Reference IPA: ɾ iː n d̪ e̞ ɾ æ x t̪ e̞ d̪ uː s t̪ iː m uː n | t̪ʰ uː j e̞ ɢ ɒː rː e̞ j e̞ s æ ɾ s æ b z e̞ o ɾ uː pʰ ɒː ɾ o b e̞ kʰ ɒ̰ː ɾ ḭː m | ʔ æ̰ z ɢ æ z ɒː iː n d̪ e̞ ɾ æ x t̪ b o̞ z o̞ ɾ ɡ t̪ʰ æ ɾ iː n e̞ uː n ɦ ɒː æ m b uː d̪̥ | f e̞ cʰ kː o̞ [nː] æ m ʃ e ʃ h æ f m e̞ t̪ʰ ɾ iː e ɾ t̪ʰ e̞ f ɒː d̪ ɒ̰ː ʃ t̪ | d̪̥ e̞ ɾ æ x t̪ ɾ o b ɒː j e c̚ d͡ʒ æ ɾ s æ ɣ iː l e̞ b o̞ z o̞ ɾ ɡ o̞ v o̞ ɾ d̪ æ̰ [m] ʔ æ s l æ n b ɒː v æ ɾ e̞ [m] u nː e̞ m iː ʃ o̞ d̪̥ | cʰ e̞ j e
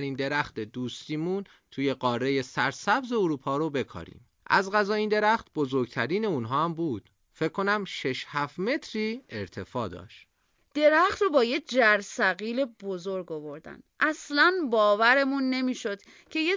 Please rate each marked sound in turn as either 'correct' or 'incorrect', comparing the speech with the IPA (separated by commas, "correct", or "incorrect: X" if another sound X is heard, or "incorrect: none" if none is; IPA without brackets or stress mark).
incorrect: n, incorrect: n, correct